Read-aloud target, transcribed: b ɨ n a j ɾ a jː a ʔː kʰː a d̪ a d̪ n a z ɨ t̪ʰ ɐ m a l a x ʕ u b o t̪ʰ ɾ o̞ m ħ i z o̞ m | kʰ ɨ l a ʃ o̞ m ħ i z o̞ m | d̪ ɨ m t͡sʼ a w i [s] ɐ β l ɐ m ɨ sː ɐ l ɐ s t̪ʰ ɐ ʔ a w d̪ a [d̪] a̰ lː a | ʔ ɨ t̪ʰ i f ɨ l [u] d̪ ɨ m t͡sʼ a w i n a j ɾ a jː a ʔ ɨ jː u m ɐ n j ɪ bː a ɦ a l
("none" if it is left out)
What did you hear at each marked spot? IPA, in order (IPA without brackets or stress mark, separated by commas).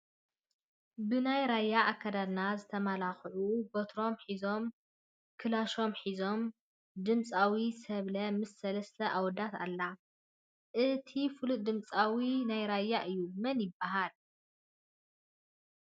s, t̪, u